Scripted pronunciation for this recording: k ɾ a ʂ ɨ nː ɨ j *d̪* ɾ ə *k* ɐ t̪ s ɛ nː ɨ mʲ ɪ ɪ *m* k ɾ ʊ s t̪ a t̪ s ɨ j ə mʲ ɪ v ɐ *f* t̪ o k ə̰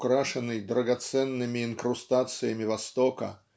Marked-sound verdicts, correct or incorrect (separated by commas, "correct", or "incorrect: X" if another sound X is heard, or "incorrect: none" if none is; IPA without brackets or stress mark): correct, incorrect: ɡ, incorrect: n, incorrect: s